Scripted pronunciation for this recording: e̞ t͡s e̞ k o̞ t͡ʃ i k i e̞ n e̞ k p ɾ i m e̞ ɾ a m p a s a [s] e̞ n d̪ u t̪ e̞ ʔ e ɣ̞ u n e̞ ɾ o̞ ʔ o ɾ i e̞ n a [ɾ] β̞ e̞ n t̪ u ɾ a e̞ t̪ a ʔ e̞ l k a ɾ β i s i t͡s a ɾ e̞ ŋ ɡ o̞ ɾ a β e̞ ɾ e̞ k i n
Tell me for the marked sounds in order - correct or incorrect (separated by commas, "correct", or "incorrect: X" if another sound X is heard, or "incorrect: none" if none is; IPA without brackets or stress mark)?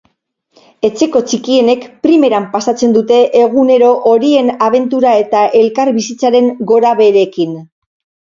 incorrect: t͡s, incorrect: none